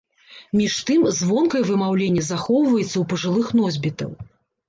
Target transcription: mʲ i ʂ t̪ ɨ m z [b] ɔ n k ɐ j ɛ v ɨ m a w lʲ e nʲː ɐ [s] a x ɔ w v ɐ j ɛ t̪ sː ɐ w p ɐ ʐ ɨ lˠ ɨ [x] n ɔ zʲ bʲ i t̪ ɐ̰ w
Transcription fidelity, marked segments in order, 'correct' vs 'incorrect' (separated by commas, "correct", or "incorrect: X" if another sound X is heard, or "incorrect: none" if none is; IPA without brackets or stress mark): incorrect: v, incorrect: z, correct